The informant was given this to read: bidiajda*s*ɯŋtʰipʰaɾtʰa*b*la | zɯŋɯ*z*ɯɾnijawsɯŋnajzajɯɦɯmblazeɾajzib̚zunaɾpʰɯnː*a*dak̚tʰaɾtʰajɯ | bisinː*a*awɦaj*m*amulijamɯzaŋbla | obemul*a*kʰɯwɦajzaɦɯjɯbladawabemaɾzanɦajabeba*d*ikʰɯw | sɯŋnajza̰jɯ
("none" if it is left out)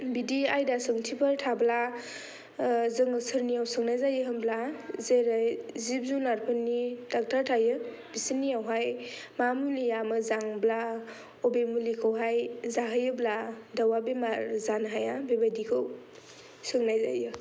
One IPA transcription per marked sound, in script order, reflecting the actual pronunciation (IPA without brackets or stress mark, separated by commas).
s, b, s, i, i, m, i, d